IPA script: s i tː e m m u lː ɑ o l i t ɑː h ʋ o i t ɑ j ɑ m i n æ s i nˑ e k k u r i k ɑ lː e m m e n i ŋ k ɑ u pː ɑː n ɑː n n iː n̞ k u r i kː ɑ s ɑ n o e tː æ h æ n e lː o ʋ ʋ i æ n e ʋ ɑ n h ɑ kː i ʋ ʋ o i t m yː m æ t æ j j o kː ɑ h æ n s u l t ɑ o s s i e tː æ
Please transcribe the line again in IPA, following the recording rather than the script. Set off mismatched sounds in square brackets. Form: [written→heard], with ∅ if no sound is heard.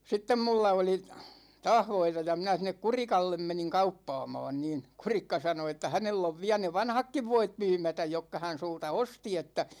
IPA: s i tː e m m u lː ɑ o l i t ɑː h ʋ o i t ɑ j ɑ m i n æ s i nˑ e k k u r i k ɑ lː e m m e n i ŋ k ɑ u pː ɑː [n→m] ɑː n n iː n̞ k u r i kː ɑ s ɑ n o e tː æ h æ n e lː o ʋ ʋ i æ n e ʋ ɑ n h ɑ kː i ʋ ʋ o i t m yː m æ t æ j j o kː ɑ h æ n s u l t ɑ o s [s→t] i e tː æ